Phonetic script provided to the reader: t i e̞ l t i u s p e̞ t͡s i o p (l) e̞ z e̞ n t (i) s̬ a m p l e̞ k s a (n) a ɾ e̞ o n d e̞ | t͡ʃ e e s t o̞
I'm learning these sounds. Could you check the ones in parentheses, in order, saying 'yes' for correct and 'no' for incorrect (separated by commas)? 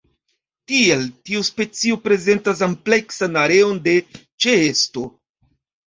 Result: no, no, yes